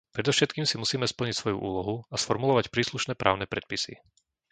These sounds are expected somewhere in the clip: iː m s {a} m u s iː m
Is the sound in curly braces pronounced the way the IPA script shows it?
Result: no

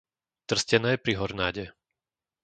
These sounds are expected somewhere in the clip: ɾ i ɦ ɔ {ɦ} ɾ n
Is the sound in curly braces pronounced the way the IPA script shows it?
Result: no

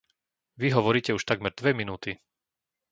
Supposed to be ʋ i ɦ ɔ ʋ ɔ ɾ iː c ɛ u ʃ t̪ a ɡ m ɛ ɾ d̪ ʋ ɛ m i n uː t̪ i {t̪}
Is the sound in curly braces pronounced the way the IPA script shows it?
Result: no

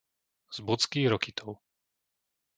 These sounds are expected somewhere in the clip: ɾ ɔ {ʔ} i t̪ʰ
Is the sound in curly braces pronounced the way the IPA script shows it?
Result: no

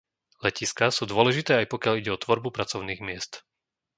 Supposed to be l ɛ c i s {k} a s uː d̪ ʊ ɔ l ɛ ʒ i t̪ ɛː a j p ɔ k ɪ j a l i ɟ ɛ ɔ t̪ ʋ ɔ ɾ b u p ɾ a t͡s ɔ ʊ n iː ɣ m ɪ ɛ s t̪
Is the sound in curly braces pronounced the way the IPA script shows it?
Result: yes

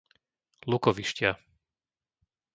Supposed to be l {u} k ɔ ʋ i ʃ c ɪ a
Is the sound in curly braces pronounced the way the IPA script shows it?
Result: yes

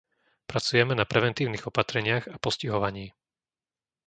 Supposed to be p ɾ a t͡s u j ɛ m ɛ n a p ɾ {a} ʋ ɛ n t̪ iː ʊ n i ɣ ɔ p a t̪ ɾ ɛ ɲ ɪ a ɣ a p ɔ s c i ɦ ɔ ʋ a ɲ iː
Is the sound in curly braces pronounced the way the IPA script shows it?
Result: no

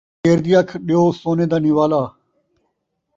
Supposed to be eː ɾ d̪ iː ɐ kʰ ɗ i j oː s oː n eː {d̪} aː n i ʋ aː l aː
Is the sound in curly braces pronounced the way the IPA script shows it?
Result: yes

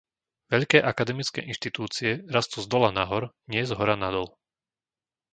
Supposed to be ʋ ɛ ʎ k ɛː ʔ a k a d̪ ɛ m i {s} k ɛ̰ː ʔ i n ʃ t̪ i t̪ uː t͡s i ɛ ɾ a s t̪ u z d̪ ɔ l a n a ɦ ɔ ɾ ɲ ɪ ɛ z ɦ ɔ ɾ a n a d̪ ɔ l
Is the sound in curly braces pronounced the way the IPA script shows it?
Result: no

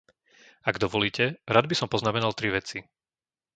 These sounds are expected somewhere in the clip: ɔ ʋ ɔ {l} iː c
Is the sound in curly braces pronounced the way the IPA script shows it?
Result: yes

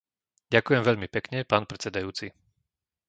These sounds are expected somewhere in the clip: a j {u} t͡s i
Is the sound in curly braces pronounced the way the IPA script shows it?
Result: no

